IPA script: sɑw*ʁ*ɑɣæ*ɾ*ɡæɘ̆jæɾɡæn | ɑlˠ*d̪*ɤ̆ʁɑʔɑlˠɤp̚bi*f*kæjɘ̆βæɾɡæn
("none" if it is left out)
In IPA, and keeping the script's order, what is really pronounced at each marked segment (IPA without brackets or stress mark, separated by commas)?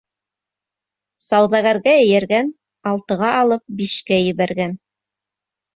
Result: ð, ɾ, t̪, ʃ